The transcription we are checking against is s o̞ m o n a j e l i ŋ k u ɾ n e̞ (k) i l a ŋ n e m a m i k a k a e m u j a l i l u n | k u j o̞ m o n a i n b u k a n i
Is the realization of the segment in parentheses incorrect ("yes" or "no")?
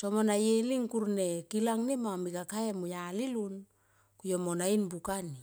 no